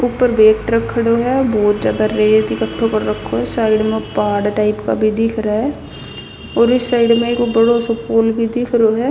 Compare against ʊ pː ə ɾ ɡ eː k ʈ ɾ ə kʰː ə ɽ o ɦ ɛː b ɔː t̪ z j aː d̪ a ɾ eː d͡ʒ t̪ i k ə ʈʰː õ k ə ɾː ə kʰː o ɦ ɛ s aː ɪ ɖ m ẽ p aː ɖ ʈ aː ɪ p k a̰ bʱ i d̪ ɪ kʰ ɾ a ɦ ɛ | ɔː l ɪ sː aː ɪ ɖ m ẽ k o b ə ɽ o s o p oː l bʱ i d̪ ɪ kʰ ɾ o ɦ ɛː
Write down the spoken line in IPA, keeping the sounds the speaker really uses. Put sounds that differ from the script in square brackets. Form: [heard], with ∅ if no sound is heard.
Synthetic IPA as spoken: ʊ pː ə ɾ [b] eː k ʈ ɾ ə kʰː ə ɽ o ɦ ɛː b ɔː t̪ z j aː d̪ a ɾ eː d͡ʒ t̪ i k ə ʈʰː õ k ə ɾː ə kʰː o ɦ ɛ s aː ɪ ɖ m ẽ p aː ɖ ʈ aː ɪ p k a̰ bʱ i d̪ ɪ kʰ ɾ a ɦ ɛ | ɔː [ɾ] ɪ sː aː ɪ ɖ m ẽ k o b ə ɽ o s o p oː l bʱ i d̪ ɪ kʰ ɾ o ɦ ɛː